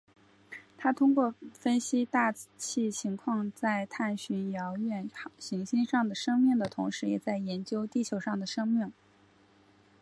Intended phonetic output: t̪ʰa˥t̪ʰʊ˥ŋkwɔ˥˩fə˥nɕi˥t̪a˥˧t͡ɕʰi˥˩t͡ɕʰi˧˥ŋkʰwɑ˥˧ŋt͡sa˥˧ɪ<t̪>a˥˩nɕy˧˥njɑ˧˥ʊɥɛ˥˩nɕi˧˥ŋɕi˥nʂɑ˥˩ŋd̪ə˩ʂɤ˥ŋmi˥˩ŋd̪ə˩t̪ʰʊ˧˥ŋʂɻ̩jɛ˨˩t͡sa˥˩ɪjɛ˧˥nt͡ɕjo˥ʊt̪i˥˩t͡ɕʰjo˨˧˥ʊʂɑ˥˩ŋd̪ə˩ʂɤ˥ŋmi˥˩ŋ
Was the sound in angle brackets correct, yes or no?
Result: no